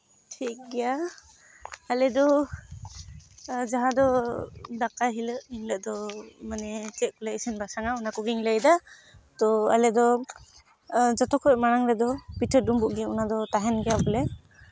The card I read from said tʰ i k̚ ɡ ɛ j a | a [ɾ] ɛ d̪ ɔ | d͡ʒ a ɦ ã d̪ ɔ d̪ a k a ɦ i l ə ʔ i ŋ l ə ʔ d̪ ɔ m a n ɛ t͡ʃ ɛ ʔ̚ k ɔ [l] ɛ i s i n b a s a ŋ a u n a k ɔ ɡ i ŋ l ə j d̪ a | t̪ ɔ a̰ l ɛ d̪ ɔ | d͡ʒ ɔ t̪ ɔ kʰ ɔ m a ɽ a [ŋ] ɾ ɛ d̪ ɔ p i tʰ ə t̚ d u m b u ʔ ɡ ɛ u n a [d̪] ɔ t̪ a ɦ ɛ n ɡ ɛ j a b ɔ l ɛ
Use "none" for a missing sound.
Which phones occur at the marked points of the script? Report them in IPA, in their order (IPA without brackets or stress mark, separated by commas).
l, l, ŋ, d̪